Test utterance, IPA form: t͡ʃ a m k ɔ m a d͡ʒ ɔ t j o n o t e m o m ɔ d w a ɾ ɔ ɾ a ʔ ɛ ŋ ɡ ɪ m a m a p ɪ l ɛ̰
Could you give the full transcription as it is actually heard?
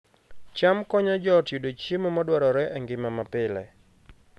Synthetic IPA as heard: t͡ʃ a m k ɔ ɲ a d͡ʒ ɔ t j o d o t͡ʃ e m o m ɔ d w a ɾ ɔ ɾ ɛ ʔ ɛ ŋ ɡ ɪ m a m a p ɪ l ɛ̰